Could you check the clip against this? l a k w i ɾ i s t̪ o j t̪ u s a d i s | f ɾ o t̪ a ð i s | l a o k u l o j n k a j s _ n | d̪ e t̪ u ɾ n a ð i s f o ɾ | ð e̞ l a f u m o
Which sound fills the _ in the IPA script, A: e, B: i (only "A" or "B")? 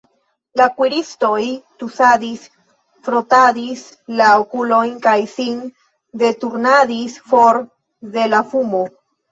B